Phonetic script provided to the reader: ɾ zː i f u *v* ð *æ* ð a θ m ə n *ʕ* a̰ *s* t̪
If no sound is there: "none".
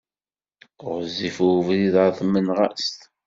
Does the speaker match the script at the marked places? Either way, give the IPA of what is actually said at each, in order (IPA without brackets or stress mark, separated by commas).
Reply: v, i, ʁ, s